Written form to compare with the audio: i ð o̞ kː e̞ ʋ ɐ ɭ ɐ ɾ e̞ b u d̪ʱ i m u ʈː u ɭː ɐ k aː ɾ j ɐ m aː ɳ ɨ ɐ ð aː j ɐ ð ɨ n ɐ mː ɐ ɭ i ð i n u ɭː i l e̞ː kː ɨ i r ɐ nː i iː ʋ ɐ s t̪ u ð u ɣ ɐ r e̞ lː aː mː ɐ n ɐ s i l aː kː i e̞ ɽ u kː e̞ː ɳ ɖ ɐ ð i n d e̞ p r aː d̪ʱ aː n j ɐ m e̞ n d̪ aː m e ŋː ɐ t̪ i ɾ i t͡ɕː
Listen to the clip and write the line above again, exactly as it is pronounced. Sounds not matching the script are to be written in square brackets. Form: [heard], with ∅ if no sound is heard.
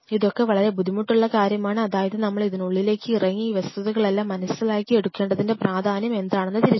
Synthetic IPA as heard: i ð o̞ kː e̞ ʋ ɐ ɭ ɐ ɾ e̞ b u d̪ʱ i m u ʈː u ɭː ɐ k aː ɾ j ɐ m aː ɳ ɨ ɐ ð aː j ɐ ð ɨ n ɐ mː ɐ ɭ i ð i n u ɭː i l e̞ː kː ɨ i r ɐ [ŋː] i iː ʋ ɐ s t̪ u ð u ɣ ɐ [ɭ] e̞ lː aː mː ɐ n ɐ s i l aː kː i e̞ ɽ u kː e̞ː ɳ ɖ ɐ ð i n d e̞ p r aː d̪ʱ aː n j ɐ m e̞ n d̪ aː [ɳ] e [nː] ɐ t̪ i ɾ i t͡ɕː